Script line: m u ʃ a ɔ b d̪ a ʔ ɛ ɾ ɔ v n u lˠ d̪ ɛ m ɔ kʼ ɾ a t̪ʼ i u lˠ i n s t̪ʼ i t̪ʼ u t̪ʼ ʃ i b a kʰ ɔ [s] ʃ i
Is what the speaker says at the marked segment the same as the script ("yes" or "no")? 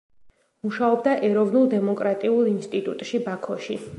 no